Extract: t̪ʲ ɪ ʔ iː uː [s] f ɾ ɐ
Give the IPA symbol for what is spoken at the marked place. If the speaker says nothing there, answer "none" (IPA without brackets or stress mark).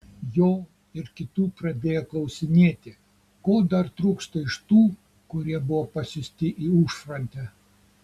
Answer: ʃ